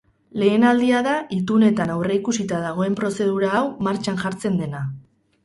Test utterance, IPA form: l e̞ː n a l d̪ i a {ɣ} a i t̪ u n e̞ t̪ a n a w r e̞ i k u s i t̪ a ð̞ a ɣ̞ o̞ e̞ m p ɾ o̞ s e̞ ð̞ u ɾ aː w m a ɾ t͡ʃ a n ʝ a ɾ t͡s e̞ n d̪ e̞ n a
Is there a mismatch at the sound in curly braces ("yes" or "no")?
yes